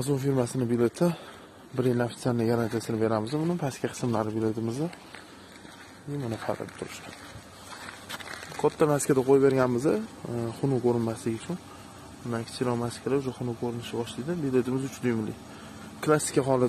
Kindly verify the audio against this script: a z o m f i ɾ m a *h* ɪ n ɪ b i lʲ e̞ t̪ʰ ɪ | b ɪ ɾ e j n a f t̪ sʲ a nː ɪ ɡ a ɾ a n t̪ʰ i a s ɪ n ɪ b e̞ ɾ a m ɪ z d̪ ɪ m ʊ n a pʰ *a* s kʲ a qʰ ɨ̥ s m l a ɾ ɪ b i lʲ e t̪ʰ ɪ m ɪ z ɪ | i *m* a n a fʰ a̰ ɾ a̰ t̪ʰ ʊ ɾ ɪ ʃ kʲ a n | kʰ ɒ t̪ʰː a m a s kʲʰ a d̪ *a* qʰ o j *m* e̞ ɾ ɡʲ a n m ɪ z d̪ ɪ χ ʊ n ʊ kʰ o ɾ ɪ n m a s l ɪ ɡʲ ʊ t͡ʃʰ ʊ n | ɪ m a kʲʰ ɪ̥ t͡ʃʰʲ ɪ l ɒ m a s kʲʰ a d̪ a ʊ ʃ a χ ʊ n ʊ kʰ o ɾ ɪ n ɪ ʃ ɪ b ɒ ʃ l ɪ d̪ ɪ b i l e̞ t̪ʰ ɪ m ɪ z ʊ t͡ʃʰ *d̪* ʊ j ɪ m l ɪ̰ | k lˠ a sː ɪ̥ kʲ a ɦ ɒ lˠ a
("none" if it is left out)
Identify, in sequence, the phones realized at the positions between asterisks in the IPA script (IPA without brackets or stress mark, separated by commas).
s, a, m, a, b, d̪